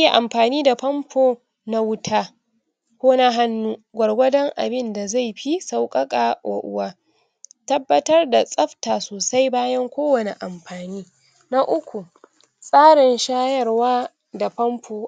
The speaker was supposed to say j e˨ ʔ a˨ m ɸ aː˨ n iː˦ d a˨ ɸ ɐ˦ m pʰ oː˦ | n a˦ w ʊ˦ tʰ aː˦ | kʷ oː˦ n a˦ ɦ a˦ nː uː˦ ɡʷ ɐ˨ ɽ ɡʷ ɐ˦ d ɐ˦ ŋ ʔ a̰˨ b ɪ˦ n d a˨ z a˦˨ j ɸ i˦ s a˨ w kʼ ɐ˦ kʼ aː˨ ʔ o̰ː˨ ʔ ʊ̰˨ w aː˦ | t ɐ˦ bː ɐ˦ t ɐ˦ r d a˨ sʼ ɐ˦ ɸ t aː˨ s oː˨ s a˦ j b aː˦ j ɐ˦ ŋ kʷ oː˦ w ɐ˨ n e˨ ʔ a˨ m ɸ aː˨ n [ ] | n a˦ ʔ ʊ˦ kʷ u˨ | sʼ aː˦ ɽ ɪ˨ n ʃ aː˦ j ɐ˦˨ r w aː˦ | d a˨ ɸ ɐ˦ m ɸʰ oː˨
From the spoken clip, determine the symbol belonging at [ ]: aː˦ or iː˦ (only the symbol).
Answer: iː˦